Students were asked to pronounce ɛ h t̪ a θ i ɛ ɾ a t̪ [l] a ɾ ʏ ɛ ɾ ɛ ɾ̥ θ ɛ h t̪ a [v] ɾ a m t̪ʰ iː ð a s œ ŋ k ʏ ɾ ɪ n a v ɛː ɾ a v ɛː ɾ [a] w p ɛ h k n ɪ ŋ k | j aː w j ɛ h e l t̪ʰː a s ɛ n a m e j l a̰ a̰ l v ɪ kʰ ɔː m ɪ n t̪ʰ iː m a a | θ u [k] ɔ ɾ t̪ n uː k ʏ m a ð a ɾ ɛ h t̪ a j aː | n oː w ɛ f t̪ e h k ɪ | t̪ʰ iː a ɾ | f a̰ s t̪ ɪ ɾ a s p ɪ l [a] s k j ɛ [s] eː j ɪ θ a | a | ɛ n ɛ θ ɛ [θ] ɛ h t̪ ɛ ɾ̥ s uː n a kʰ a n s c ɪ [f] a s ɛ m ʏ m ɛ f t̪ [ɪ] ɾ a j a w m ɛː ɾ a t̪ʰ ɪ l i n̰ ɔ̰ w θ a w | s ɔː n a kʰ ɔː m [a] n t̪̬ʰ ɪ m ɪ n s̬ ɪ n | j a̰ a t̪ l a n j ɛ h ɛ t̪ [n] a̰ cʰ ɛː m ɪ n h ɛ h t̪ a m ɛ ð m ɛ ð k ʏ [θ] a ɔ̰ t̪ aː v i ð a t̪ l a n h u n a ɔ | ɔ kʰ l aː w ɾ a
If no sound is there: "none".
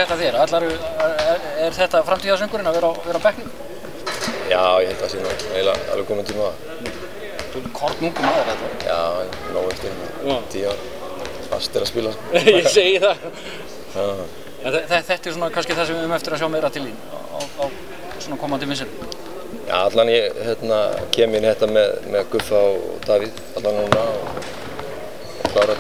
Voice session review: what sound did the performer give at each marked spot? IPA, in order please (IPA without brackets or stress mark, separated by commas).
l, f, a, kʰ, a, s, θ, θ, ɪ, a, n, f